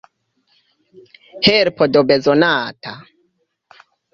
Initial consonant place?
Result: glottal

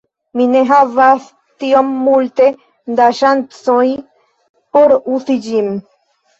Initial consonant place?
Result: labial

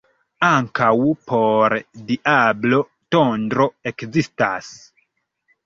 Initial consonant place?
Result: velar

